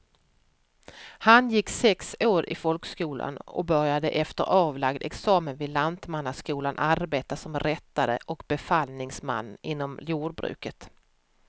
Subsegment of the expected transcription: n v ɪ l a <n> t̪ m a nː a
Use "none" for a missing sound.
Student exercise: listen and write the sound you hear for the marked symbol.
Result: n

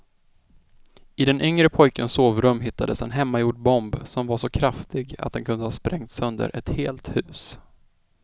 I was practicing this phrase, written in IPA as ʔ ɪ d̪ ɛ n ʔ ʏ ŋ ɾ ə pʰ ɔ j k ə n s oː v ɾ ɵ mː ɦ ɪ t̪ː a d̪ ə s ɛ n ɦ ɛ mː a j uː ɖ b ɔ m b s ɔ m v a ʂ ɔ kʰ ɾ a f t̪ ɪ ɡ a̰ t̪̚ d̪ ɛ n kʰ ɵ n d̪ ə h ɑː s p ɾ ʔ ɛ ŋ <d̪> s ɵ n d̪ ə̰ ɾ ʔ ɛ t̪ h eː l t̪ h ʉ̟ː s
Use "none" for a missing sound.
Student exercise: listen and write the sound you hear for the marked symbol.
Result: t̪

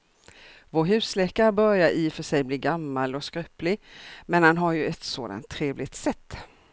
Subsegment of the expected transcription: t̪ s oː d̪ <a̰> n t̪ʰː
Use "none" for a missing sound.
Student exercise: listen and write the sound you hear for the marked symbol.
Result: a̰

